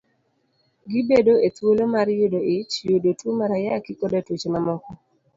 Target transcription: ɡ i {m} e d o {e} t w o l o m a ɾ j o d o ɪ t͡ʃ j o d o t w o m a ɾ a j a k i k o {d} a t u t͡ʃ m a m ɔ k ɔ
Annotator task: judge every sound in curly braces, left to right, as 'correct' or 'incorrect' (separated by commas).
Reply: incorrect, correct, correct